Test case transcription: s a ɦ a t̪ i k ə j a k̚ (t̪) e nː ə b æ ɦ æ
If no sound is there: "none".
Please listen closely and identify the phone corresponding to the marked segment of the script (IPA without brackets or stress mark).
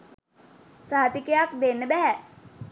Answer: d̪